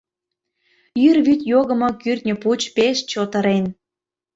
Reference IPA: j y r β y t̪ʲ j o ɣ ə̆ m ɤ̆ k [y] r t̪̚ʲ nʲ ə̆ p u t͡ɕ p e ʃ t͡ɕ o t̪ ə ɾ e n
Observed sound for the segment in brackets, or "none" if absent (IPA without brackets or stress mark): y